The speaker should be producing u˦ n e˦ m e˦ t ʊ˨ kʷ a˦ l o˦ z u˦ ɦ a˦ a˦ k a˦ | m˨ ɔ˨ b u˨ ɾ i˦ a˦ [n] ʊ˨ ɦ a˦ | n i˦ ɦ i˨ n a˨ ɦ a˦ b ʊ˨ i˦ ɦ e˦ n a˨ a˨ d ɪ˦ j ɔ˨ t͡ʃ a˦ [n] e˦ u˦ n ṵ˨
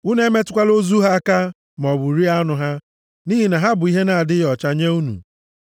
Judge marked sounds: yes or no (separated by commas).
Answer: yes, no